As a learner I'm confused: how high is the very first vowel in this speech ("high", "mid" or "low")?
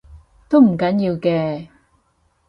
mid